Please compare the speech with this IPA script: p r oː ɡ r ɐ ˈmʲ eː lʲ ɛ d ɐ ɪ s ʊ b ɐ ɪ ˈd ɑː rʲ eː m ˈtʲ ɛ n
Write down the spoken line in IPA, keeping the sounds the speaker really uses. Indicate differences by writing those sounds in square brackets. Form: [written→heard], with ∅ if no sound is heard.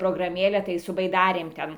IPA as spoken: p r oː ɡ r ɐ ˈmʲ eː lʲ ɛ [d→t] ɐ ɪ s ʊ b ɐ ɪ ˈd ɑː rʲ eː m ˈtʲ ɛ n